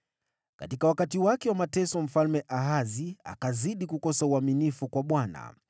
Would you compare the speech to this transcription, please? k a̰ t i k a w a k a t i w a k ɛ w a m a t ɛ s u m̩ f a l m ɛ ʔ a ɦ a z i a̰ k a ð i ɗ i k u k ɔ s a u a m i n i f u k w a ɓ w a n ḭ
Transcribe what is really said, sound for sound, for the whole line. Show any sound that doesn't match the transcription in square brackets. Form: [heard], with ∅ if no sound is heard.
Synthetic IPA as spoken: k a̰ t i k a w a k a t i w a k ɛ w a m a t ɛ s [ɔ] m̩ f a l m ɛ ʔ a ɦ a z i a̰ k a [z] i ɗ i k u k ɔ s a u a m i n i f u k w a ɓ w a n [a̰]